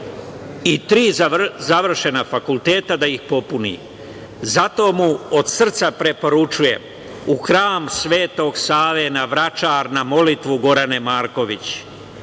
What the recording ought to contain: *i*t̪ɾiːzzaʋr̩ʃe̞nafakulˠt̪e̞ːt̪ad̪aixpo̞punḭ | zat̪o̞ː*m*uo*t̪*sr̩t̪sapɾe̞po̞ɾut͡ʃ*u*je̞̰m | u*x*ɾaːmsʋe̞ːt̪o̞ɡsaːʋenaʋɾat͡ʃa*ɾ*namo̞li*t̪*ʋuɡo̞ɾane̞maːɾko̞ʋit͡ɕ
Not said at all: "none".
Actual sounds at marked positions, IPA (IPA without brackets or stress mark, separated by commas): i, m, d̪, u, x, ɾ, t̪